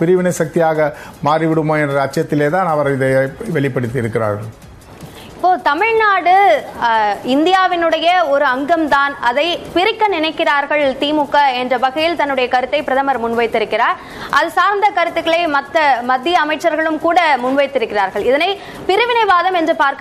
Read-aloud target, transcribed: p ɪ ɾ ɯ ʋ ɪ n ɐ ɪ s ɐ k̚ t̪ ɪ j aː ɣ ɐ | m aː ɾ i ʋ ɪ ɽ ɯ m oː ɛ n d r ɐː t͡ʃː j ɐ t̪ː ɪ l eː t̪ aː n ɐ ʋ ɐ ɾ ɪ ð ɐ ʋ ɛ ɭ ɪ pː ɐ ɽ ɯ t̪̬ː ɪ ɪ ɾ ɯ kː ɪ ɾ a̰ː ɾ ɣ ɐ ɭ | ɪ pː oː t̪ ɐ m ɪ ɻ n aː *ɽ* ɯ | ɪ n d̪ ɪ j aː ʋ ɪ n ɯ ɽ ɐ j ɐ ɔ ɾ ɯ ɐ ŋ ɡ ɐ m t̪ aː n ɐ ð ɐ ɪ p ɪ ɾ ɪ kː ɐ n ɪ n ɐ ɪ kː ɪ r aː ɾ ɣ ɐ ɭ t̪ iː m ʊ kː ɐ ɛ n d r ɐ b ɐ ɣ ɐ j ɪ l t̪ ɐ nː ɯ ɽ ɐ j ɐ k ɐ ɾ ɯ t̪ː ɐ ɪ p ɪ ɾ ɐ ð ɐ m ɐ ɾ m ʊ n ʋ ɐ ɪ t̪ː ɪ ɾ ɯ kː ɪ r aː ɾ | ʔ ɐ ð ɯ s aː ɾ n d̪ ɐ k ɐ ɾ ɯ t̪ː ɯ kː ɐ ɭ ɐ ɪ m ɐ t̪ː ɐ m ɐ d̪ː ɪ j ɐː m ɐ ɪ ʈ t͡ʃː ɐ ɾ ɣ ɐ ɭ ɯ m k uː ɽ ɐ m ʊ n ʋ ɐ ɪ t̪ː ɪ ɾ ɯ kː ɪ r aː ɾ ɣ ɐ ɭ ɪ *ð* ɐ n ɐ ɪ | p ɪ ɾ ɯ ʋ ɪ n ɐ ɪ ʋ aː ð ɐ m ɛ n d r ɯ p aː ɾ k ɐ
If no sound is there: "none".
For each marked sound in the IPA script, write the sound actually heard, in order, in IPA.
ɽ, ð

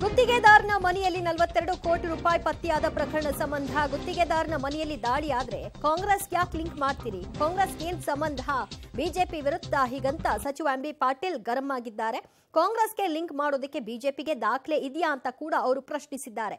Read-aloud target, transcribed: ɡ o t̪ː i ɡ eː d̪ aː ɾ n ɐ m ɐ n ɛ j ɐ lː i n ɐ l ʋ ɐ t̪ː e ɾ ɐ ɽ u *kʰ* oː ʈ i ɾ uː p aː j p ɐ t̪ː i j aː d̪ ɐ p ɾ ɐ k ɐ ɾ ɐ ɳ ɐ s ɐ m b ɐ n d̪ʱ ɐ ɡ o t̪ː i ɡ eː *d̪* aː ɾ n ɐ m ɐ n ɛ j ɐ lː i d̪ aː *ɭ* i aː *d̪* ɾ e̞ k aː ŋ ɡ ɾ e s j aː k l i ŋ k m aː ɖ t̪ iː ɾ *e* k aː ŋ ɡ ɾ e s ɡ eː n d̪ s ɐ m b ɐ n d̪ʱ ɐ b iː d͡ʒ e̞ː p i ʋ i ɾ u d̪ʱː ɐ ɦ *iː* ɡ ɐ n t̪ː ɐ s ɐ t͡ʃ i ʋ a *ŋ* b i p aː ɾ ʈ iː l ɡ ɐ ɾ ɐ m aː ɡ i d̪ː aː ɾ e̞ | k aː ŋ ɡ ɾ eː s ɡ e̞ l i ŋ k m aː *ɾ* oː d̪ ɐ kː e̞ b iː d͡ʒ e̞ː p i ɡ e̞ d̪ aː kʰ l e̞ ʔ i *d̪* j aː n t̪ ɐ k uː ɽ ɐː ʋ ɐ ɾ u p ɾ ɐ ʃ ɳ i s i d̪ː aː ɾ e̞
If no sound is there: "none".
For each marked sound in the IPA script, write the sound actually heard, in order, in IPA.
k, d̪, ɭ, d̪, i, iː, m, ɽ, d̪

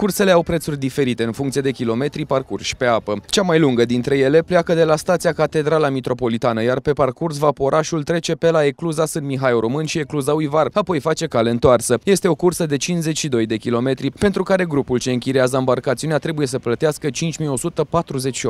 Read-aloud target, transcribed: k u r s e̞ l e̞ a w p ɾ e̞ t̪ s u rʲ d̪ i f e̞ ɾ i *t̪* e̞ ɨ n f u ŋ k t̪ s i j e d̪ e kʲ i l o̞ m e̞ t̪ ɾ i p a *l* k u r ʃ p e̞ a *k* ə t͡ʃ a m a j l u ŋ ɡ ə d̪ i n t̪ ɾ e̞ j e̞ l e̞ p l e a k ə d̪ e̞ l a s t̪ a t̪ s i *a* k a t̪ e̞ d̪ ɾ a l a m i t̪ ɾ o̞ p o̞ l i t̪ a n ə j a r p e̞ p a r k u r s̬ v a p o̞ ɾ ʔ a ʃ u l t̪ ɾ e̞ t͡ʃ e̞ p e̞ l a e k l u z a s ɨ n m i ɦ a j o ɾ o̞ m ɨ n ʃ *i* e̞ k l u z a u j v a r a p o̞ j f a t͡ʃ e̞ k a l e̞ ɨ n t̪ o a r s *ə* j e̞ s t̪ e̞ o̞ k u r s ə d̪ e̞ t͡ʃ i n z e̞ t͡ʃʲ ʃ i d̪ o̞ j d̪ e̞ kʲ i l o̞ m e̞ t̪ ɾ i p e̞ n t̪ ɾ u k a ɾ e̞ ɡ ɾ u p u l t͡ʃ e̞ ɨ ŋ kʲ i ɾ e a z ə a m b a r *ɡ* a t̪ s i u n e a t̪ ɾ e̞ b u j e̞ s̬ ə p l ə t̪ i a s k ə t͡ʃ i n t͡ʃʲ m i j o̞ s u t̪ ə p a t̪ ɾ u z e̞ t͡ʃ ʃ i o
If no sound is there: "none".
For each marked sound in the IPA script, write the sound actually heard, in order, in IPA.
t̪, r, p, a, i, ə, k

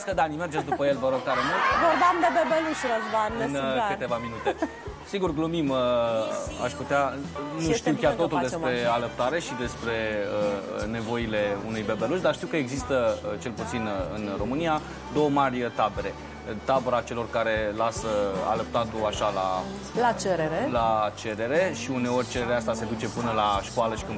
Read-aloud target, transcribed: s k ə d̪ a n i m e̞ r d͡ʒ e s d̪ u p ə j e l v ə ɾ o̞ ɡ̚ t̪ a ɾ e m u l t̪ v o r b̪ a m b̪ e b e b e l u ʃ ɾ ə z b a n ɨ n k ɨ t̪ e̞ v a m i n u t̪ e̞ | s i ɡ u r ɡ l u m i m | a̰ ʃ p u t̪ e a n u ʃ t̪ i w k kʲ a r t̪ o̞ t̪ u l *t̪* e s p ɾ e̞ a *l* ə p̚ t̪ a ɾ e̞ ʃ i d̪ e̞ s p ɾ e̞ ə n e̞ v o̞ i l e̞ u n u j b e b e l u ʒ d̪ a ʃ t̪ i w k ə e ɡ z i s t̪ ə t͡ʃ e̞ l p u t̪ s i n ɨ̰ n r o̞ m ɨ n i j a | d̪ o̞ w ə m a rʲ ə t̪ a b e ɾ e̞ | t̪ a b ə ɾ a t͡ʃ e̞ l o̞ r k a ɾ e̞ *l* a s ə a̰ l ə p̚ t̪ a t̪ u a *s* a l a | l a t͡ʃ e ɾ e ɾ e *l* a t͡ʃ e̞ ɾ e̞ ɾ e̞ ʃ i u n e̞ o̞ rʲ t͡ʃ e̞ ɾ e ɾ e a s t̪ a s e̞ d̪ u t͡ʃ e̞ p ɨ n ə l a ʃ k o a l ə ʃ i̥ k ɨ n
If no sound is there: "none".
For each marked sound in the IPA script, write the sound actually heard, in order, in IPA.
d̪, l, l, ʃ, l

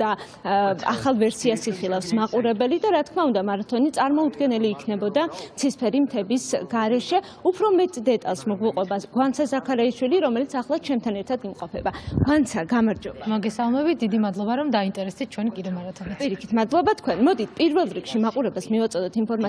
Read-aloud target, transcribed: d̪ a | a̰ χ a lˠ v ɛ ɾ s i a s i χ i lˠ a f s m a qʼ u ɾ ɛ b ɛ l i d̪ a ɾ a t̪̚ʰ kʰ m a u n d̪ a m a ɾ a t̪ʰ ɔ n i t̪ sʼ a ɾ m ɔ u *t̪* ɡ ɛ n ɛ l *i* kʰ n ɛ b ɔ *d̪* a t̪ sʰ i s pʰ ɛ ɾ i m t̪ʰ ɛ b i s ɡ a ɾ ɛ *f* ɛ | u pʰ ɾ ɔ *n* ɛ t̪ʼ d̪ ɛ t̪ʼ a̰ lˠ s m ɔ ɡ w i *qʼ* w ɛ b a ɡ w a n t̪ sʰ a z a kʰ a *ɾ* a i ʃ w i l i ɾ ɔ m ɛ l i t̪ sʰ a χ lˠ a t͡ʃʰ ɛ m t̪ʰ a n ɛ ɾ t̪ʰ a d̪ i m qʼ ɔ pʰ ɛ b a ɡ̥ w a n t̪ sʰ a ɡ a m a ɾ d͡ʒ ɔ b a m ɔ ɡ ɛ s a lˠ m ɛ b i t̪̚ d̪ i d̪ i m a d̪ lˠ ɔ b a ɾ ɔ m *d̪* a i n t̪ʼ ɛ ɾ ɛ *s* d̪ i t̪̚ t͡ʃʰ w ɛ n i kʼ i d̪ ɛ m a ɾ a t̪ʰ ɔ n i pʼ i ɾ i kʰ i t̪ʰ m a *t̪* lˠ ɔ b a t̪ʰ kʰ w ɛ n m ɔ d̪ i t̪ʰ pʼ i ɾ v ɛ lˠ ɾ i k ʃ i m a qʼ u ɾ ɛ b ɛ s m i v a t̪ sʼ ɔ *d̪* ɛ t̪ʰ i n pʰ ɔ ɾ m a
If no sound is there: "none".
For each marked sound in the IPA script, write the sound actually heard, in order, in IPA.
d̪, iː, d̪, ʃ, m, qʼ, ɾ, d̪, s, d̪, d̪

